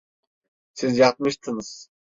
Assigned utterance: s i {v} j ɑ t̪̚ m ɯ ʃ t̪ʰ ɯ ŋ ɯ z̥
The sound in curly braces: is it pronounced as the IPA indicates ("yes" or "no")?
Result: no